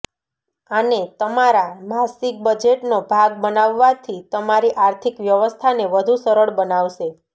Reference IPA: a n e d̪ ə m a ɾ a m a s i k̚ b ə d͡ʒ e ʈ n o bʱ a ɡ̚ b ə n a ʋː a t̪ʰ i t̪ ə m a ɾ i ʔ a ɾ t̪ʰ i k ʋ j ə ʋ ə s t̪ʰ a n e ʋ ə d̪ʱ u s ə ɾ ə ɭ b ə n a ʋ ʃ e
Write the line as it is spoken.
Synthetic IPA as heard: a n e t̪ ə m a ɾ a m a s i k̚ b ə d͡ʒ e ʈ n o bʱ a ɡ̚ b ə n a ʋː a t̪ʰ i t̪ ə m a ɾ i ʔ a ɾ t̪ʰ i k ʋ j ə ʋ ə s t̪ʰ a n e ʋ ə d̪ʱ u s ə ɾ ə ɭ b ə n a ʋ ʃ e